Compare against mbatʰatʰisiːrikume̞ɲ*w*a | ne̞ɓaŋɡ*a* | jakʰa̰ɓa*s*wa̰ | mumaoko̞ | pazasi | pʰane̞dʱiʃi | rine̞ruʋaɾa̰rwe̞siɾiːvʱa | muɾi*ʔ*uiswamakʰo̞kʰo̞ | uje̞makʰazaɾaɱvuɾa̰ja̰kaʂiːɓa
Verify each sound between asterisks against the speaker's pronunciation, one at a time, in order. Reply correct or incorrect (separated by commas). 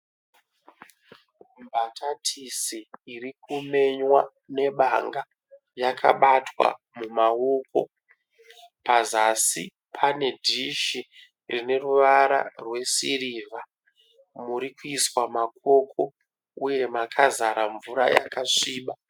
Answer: correct, correct, incorrect, incorrect